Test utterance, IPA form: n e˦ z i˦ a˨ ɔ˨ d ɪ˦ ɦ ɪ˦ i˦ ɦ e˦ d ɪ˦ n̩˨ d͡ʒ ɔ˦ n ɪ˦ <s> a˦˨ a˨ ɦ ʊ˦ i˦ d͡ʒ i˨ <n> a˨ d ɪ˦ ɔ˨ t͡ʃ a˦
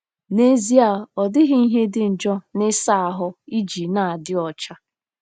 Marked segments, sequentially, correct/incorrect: correct, correct

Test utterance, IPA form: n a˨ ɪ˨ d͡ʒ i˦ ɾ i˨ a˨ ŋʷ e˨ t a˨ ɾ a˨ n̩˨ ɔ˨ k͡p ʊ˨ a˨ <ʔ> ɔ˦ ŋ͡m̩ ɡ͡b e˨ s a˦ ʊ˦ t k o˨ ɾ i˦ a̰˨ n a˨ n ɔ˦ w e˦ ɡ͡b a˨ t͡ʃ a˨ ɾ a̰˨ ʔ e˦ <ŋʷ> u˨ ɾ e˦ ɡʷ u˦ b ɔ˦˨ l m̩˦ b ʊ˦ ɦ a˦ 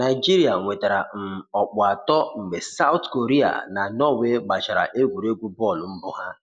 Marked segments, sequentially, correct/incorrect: incorrect, incorrect

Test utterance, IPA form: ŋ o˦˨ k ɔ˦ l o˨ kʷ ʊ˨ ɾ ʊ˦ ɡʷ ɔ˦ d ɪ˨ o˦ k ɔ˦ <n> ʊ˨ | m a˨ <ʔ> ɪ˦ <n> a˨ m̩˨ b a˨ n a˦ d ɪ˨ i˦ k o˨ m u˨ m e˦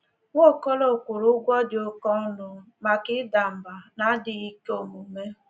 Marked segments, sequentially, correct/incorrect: correct, incorrect, incorrect

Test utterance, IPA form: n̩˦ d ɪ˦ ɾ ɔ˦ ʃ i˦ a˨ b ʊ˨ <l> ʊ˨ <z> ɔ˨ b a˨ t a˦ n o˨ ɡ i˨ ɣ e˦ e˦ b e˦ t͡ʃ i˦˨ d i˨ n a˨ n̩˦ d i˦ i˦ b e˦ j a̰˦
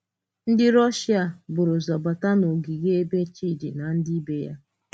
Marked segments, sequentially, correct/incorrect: incorrect, correct

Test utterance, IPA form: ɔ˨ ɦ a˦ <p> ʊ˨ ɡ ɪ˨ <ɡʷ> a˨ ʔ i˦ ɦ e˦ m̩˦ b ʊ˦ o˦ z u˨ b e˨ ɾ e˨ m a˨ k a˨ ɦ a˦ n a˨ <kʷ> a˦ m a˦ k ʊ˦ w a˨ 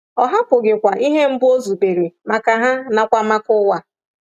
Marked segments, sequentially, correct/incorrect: correct, incorrect, correct

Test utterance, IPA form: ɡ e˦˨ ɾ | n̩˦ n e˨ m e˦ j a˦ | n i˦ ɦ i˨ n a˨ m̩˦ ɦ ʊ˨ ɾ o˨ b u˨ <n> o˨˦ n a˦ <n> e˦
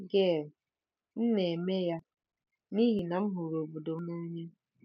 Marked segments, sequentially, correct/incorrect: incorrect, incorrect

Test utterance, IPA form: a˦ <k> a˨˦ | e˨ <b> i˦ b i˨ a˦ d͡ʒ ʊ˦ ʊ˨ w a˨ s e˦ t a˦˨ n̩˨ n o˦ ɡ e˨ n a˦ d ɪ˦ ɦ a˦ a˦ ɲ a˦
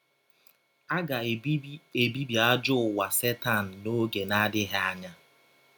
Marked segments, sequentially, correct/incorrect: incorrect, correct

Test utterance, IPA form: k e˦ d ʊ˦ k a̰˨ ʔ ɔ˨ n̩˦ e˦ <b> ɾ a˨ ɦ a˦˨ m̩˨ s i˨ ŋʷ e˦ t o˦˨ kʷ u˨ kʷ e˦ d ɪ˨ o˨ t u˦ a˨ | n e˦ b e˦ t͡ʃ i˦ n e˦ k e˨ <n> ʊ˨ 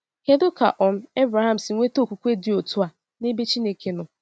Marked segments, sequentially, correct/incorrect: correct, correct

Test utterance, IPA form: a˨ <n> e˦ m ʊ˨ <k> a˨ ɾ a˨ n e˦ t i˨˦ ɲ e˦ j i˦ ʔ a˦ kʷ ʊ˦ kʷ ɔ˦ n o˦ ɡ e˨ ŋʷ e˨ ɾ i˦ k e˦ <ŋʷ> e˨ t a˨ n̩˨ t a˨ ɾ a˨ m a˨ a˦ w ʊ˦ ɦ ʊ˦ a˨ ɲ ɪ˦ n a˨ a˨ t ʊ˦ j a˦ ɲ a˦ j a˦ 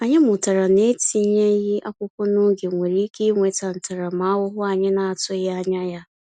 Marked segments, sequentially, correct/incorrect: incorrect, incorrect, correct

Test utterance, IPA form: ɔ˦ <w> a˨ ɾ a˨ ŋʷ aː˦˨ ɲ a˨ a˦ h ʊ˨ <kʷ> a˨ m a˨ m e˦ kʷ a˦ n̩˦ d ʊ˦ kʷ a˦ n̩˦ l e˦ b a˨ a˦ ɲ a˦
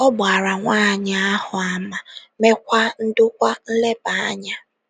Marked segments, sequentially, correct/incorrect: incorrect, incorrect

